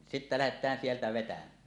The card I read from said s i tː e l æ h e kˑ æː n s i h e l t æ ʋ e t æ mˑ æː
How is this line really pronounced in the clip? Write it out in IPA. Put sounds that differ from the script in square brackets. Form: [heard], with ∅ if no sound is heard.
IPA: s i tː [æ] l æ h e [tˑ] æː n s i [∅] e l t æ ʋ e t æ mˑ æː